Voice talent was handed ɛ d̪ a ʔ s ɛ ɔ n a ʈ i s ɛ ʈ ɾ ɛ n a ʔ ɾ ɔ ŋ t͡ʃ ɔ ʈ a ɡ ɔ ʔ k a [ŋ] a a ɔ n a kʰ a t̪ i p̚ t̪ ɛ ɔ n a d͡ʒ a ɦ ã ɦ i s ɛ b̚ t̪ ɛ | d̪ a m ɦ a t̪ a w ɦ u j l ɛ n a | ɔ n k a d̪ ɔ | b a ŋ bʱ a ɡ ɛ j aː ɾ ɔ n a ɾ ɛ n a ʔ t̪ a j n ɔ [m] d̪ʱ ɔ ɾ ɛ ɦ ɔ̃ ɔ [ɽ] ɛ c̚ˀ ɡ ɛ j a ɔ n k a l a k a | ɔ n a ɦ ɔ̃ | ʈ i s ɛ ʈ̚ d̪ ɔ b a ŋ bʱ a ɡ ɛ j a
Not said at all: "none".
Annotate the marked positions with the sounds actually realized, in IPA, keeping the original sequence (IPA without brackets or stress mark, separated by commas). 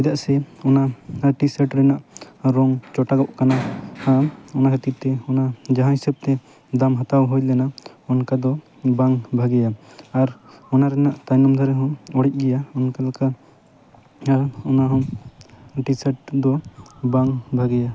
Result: n, m, ɽ